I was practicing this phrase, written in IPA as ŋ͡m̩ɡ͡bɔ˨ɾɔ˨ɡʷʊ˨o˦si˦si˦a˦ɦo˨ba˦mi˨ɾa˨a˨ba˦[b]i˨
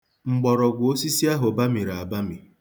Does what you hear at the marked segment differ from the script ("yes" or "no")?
yes